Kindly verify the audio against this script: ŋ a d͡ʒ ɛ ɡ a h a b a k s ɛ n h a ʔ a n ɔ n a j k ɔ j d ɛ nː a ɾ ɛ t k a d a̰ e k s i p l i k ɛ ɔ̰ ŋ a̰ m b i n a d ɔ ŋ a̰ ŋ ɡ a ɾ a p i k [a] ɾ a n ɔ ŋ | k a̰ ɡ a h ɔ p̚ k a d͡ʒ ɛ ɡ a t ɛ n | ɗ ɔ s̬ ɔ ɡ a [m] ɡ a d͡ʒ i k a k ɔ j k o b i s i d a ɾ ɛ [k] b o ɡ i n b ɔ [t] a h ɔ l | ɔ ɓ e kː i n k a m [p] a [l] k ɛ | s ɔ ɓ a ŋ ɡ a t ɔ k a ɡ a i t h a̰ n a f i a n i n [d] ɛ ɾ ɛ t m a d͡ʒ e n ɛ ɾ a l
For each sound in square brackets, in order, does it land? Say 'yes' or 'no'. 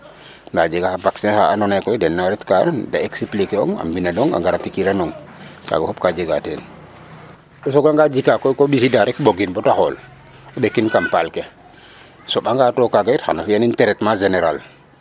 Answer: no, no, yes, yes, yes, yes, no

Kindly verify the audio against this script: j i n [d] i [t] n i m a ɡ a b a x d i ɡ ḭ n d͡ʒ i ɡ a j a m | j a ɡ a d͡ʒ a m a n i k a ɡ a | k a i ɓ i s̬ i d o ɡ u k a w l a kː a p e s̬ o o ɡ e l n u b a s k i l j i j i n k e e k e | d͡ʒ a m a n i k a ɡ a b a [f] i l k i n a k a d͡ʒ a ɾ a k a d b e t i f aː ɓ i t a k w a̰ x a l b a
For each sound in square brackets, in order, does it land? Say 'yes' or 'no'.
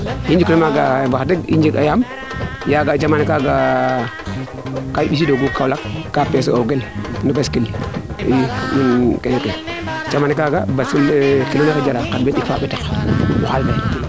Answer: no, no, no

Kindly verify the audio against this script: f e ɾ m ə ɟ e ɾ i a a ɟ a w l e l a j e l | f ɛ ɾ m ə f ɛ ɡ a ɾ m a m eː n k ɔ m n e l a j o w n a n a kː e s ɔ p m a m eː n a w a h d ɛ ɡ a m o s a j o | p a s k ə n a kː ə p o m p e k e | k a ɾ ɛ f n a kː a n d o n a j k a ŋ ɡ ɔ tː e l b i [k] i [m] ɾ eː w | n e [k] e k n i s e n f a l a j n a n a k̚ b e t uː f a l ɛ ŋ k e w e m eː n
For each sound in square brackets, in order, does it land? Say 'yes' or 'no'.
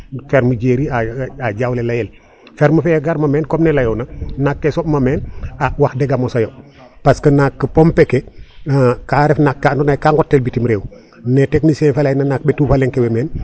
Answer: no, yes, no

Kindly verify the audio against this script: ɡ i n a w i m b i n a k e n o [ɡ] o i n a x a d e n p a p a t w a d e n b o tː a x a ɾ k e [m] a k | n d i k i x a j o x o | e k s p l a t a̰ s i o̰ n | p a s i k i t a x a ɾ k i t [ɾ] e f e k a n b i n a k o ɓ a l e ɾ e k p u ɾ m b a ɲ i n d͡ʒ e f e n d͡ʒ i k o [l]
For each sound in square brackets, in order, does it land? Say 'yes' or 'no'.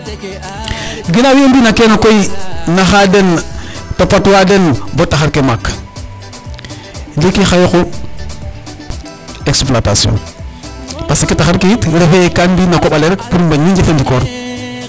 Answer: no, yes, yes, no

